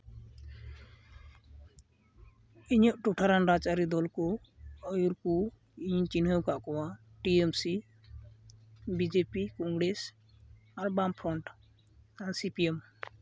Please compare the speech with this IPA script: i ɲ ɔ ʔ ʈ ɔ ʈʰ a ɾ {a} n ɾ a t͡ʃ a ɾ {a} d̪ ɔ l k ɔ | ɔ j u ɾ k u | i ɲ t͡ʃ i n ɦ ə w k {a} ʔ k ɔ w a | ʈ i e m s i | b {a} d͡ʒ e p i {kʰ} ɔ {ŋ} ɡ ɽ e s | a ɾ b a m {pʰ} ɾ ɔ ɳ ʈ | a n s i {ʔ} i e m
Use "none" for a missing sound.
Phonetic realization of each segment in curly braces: a, i, a, i, k, ŋ, pʰ, p

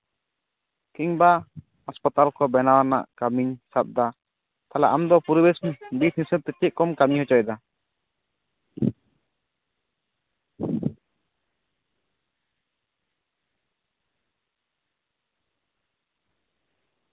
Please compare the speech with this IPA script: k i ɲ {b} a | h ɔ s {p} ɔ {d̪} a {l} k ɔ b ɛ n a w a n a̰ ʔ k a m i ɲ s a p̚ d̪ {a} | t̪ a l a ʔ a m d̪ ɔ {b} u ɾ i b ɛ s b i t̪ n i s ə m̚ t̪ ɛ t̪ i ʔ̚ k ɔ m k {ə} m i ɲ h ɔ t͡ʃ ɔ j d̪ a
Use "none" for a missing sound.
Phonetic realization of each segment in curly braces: b, p, t̪, l, a, p, a

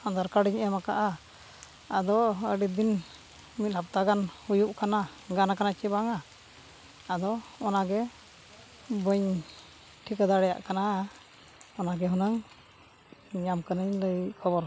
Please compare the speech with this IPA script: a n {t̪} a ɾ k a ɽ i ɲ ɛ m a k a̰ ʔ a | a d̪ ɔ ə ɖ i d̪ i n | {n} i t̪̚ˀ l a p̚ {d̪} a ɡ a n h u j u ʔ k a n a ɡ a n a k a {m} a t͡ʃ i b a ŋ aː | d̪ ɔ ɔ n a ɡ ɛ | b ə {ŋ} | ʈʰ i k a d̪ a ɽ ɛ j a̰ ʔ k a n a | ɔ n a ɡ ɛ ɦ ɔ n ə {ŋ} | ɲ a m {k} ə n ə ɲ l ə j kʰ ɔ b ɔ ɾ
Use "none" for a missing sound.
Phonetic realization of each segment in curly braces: d̪, m, t̪, n, ɲ, ŋ, k

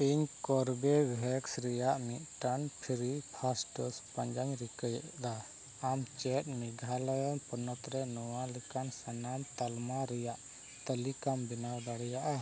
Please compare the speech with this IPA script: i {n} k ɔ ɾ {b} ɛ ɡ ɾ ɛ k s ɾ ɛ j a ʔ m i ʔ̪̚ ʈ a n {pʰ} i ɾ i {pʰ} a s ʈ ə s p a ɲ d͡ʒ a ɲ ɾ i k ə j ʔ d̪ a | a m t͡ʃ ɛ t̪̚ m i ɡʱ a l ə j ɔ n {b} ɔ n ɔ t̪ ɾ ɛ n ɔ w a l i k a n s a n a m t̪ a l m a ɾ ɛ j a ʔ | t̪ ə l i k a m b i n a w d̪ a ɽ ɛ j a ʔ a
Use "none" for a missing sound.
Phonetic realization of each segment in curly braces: ɲ, b, pʰ, pʰ, p

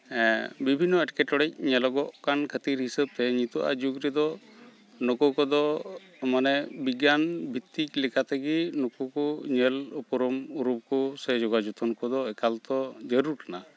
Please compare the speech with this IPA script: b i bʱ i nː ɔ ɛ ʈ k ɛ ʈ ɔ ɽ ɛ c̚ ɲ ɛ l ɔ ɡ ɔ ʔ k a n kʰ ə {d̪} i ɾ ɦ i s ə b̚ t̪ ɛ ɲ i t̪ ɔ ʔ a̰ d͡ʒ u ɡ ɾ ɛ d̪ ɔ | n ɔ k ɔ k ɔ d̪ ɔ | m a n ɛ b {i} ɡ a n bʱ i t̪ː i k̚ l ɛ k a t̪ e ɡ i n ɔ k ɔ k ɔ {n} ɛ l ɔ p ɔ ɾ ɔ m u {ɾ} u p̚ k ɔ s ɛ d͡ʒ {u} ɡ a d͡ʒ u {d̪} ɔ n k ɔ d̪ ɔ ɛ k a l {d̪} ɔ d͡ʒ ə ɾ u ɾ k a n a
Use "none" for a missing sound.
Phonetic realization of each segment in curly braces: t̪, i, ɲ, ɾ, ɔ, t̪, t̪

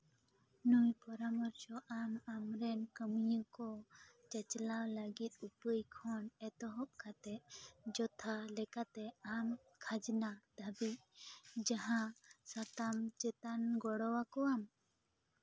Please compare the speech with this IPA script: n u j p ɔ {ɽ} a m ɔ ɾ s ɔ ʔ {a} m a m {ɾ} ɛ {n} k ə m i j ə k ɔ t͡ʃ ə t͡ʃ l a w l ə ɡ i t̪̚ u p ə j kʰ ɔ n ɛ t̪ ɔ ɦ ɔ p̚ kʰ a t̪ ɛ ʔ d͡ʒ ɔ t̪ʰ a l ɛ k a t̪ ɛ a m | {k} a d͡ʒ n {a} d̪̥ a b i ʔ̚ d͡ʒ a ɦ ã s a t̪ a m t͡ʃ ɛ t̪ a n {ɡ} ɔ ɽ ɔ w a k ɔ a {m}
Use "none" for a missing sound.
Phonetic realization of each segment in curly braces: ɾ, a, ɾ, n, kʰ, a, ɡ, m

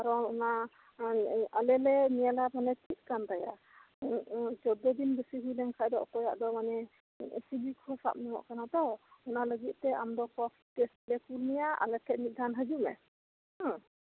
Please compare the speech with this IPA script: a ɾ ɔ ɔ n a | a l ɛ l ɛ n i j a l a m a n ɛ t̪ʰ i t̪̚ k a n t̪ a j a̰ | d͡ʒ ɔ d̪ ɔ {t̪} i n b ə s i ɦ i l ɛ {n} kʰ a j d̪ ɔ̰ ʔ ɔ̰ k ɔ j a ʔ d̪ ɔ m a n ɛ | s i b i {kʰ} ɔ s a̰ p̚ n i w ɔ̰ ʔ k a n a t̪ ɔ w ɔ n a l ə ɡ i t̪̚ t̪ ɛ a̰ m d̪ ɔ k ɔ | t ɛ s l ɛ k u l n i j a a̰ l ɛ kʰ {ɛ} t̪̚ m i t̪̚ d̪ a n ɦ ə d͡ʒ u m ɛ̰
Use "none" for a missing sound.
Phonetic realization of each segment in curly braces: d̪, ŋ, kʰ, ɛ

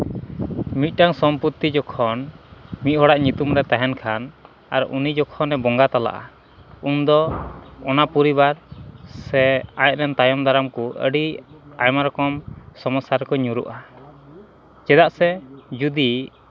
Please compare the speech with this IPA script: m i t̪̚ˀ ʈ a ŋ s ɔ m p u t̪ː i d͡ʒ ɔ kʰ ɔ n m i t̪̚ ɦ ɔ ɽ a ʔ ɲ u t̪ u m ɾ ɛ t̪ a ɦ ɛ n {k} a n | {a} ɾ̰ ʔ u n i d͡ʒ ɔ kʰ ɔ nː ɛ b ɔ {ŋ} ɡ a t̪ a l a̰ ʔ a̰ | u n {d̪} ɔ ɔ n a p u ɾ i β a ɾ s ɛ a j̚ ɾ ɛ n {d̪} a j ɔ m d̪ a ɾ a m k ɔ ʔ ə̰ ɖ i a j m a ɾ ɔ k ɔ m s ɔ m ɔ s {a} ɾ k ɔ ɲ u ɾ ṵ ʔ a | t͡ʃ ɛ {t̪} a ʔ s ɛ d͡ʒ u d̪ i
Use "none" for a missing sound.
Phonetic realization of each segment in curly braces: kʰ, a, ŋ, d̪, t̪, a, d̪

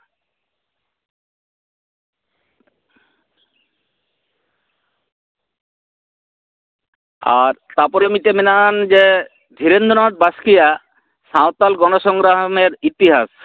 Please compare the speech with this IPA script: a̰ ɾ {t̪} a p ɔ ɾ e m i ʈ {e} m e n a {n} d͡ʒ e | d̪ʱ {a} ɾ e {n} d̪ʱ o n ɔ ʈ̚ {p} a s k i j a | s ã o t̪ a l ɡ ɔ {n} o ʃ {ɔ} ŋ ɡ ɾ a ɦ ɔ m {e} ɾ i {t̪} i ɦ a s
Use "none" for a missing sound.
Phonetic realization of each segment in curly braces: t̪, e, n, i, n, b, n, ɔ, e, t̪

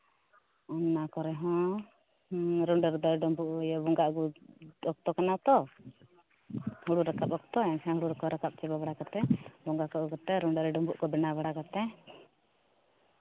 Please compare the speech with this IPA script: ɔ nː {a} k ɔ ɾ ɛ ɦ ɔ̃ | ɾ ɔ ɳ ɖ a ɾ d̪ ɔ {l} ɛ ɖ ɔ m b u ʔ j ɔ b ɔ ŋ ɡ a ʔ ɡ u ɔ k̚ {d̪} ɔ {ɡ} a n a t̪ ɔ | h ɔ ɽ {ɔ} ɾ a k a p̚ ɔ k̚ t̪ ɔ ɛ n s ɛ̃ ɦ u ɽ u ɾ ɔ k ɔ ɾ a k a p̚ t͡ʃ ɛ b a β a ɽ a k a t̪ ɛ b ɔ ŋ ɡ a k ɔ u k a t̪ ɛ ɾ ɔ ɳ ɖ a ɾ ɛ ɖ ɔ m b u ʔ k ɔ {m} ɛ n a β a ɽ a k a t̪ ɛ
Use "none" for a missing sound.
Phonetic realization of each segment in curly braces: a, ɾ, t̪, k, u, b

